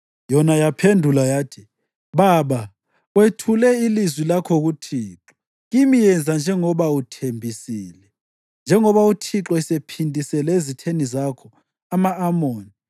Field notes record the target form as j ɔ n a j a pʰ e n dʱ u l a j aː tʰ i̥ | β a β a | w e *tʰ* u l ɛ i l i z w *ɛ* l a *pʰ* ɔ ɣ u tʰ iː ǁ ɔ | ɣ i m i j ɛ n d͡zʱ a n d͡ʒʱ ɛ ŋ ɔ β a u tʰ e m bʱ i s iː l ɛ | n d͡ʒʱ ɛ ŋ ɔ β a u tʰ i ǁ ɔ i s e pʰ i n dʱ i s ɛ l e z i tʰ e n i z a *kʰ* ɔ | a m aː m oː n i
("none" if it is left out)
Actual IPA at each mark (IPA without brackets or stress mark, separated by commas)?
tʰ, i, kʰ, kʰ